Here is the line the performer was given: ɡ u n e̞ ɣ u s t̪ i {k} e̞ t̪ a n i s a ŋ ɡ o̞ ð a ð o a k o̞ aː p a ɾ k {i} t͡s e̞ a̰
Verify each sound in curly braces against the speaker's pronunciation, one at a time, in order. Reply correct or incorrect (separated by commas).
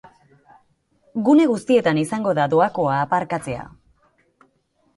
incorrect, incorrect